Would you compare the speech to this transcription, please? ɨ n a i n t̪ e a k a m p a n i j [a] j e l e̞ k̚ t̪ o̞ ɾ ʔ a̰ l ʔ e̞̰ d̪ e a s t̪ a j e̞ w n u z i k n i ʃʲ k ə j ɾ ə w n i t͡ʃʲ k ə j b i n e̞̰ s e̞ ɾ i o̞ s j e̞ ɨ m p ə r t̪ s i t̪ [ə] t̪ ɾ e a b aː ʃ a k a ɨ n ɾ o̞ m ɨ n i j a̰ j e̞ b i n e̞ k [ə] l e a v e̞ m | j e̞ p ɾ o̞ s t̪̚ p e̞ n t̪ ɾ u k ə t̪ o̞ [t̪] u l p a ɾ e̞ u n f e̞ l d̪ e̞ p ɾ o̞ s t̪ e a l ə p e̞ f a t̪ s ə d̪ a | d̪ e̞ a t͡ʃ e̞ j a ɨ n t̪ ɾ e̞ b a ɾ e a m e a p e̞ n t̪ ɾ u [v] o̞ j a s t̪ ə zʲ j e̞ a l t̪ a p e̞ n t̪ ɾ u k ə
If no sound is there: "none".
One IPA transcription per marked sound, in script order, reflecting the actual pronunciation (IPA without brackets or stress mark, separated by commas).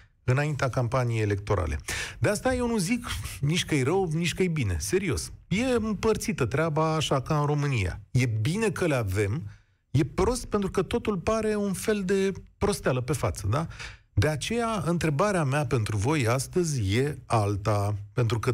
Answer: e, ə, ə, t̪, v